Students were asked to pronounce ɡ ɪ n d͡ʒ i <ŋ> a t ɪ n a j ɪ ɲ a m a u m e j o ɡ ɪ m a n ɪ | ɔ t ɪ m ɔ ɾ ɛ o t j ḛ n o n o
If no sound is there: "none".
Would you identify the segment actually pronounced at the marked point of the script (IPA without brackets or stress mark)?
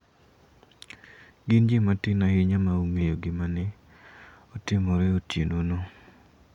m